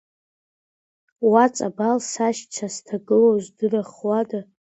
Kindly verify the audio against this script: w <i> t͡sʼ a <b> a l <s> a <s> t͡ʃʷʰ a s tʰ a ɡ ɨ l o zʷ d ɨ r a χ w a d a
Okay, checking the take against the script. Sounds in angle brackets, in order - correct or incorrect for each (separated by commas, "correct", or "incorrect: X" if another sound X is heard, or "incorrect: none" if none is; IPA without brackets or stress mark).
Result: incorrect: a, correct, correct, incorrect: ʃ